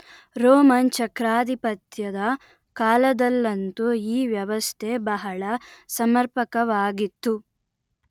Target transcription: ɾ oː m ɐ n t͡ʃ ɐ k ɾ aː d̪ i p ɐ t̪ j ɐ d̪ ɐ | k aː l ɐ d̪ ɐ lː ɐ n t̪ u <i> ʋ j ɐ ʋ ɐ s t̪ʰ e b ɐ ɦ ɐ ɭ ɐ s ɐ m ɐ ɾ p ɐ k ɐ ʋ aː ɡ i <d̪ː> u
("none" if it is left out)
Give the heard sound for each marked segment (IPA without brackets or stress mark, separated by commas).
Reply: iː, t̪ː